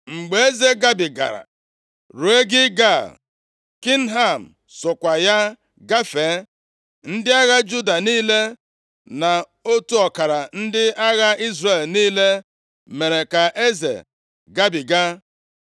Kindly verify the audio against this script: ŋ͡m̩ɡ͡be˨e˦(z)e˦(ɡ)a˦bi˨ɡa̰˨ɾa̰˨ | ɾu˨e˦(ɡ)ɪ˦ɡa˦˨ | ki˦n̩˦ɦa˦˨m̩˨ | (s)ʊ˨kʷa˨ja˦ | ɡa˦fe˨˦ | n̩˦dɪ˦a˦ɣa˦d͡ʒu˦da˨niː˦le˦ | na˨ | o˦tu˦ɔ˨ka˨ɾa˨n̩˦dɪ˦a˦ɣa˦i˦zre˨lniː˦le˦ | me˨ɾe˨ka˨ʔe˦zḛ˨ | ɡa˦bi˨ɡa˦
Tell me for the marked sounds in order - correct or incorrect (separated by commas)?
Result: correct, correct, correct, correct